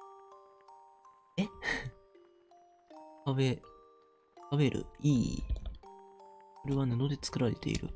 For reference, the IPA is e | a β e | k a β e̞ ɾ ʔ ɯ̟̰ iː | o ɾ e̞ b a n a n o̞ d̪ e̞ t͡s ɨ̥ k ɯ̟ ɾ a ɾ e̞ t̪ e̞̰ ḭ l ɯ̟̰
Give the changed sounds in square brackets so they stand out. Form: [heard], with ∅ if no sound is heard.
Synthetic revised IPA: e | a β e | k a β e̞ ɾ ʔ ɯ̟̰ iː | o ɾ e̞ [β] a n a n o̞ d̪ e̞ t͡s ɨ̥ k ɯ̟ ɾ a ɾ e̞ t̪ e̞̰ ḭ [ɾ] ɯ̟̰